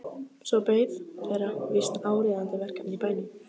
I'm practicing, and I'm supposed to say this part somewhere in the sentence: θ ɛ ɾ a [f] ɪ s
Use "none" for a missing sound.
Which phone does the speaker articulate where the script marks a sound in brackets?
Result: v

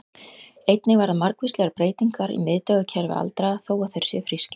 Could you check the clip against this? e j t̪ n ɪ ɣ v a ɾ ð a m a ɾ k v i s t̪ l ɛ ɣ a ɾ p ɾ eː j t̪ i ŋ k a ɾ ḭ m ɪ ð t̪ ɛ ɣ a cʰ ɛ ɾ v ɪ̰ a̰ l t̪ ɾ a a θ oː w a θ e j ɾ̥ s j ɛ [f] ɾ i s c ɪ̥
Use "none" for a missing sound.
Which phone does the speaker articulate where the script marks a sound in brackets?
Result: f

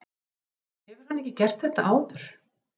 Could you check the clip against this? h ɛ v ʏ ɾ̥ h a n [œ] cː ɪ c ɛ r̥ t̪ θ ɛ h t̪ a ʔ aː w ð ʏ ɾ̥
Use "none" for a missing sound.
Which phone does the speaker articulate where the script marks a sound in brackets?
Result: ɛ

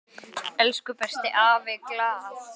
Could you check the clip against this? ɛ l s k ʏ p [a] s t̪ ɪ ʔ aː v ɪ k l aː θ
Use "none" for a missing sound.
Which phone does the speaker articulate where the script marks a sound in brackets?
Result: ɛ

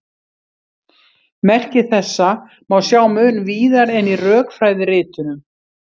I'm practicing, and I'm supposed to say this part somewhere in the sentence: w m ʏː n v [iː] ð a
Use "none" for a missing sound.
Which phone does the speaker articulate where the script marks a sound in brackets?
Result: iː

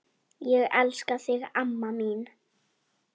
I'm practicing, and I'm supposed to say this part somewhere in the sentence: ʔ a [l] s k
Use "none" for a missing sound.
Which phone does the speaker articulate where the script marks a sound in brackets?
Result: l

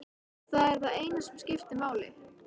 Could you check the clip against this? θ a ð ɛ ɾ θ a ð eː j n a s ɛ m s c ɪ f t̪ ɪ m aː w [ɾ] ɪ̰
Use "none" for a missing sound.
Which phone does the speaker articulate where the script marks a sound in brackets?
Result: l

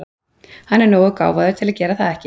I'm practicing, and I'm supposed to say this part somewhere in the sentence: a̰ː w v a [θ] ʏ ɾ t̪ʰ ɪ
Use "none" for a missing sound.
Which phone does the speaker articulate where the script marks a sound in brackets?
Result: ð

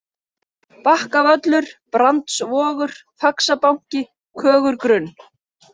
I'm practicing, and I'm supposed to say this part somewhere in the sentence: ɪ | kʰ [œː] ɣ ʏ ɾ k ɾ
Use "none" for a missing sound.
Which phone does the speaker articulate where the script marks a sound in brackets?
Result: œː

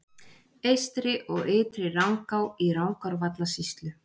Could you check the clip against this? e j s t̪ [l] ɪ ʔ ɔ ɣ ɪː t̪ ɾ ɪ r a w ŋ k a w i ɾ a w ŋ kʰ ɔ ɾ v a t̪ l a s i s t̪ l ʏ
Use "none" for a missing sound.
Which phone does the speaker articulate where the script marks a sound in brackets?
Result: ɾ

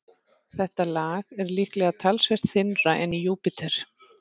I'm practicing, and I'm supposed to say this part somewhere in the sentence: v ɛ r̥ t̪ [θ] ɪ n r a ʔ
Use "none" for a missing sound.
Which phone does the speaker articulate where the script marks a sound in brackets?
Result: θ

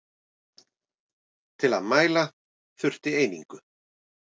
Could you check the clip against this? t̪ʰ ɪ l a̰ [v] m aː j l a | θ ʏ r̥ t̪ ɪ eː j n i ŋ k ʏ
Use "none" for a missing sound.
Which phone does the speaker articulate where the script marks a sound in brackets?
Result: ð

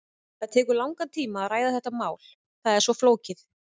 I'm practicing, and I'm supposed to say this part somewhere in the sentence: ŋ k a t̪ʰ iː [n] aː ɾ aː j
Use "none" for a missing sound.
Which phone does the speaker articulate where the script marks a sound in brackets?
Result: m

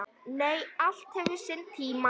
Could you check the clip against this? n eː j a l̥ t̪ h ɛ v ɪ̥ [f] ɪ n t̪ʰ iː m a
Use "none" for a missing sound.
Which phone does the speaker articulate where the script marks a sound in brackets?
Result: s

